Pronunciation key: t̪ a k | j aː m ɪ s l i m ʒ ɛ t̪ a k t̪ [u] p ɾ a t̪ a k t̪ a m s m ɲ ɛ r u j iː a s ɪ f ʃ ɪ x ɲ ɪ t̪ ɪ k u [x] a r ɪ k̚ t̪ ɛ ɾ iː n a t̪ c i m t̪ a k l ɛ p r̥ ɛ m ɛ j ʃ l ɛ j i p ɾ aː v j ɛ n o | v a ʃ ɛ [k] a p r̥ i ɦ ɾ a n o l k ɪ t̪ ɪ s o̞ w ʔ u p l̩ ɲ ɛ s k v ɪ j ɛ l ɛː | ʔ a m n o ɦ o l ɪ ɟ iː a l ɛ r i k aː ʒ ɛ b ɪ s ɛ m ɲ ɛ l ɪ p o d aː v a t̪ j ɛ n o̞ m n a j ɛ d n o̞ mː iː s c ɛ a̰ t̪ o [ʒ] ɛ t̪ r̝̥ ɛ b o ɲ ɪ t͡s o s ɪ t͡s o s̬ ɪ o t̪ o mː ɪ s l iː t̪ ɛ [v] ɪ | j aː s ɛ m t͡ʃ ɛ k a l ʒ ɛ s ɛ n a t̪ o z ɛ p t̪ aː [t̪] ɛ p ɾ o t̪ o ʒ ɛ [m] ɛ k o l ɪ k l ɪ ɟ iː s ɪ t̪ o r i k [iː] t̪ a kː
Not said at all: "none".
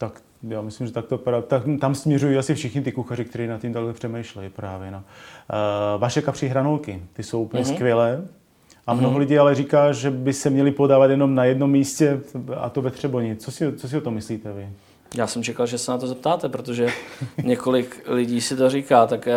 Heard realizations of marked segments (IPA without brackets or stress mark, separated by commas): o, x, k, v, v, t̪, ɲ, aː